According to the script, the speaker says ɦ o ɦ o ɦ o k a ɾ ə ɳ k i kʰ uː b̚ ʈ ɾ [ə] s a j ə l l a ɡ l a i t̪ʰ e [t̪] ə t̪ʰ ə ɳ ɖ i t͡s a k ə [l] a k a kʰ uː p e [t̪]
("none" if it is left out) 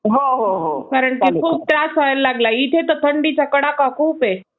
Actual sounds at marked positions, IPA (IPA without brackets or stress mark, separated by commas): a, t̪, ɽ, none